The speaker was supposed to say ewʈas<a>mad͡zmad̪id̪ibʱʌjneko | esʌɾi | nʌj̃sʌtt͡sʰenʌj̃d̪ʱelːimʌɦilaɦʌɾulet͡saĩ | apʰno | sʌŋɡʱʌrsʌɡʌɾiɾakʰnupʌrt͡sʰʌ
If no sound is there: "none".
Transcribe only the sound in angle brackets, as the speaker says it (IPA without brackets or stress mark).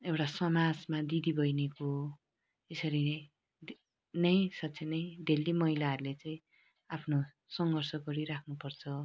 ʌ